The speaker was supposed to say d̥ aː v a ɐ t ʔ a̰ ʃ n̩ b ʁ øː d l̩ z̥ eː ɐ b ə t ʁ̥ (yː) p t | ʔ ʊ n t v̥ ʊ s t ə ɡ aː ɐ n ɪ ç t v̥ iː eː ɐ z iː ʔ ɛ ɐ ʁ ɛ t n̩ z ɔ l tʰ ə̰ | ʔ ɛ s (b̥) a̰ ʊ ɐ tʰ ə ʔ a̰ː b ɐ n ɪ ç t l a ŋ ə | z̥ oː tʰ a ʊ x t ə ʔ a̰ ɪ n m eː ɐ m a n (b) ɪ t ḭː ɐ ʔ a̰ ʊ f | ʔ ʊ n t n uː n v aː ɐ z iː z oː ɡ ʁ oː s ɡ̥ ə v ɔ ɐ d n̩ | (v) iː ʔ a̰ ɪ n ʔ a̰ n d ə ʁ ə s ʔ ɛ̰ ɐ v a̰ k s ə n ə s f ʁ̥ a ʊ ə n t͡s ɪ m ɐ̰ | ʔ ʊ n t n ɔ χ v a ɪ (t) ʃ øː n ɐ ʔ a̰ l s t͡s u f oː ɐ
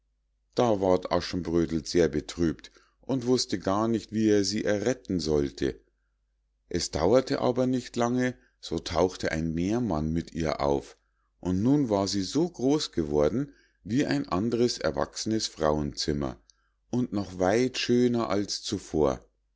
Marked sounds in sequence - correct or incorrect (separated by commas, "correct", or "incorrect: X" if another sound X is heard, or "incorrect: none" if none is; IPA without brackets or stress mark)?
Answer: correct, incorrect: d̥, incorrect: m, correct, correct